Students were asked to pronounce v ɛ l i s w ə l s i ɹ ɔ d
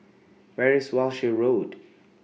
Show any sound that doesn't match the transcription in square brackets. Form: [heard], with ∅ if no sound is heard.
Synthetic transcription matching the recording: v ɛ [ɹ] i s w [a] l [ʃ] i ɹ [o] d